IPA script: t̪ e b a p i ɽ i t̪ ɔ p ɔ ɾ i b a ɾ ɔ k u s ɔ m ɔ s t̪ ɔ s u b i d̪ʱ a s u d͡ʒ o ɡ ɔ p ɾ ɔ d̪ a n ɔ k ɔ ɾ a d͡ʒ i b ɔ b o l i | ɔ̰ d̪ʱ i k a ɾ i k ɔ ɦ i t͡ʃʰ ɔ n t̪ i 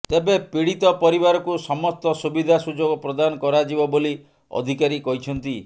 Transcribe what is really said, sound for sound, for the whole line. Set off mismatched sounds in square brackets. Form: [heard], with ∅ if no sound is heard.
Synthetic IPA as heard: t̪ e b [e] p i ɽ i t̪ ɔ p ɔ ɾ i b a ɾ ɔ k u s ɔ m ɔ s t̪ ɔ s u b i d̪ʱ a s u d͡ʒ o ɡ ɔ p ɾ ɔ d̪ a n ɔ k ɔ ɾ a d͡ʒ i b ɔ b o l i | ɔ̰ d̪ʱ i k a ɾ i k ɔ ɦ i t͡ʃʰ ɔ n t̪ i